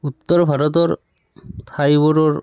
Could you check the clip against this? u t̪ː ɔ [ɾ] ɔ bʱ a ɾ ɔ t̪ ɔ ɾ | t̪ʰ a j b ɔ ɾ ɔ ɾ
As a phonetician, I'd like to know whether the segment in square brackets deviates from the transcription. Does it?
no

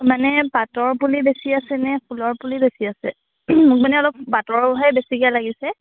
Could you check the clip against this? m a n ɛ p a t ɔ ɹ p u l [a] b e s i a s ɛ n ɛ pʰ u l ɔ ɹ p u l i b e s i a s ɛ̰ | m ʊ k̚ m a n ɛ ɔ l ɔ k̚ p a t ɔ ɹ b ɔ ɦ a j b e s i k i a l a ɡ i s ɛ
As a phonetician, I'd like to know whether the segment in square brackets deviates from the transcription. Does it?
yes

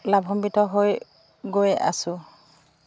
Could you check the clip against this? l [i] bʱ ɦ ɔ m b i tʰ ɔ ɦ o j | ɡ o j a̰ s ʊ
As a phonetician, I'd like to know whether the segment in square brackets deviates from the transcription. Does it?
yes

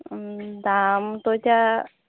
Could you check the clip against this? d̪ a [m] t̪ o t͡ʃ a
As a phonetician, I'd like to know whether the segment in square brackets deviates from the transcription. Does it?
no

